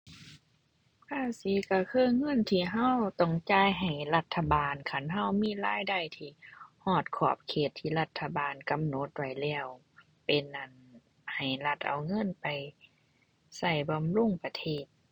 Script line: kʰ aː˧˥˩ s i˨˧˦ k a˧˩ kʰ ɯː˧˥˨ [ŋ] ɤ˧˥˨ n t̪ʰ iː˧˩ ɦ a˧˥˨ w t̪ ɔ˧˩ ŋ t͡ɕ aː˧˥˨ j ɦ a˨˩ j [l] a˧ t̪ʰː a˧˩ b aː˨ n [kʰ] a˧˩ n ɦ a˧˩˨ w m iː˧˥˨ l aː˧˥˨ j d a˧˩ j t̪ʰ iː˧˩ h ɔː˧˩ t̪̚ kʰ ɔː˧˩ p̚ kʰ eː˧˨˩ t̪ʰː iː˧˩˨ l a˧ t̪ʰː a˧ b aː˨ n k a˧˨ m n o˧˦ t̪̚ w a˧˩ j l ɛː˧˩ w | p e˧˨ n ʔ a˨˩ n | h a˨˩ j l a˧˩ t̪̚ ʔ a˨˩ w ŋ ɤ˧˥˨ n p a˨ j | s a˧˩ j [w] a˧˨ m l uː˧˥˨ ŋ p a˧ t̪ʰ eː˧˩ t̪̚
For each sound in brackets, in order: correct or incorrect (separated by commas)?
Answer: correct, correct, correct, incorrect